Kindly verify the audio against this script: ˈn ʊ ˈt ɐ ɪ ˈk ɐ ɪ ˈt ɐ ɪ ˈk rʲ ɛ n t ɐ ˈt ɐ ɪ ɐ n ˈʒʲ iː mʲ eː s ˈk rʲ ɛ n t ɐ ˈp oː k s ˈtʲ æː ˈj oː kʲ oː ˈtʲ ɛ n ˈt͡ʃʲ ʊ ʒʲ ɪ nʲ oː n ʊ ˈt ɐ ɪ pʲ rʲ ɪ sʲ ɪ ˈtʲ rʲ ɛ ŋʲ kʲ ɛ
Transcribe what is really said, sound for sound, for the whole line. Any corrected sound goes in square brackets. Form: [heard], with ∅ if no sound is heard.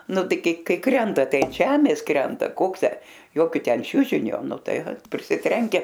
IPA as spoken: ˈn ʊ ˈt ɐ ɪ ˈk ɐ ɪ [ˈk] ɐ ɪ ˈk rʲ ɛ n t ɐ ˈt ɐ ɪ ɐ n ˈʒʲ [æː] mʲ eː s ˈk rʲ ɛ n t ɐ [ˈk] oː k s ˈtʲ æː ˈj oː kʲ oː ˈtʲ ɛ n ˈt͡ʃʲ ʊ ʒʲ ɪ nʲ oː n ʊ ˈt ɐ ɪ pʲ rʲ ɪ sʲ ɪ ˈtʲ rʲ ɛ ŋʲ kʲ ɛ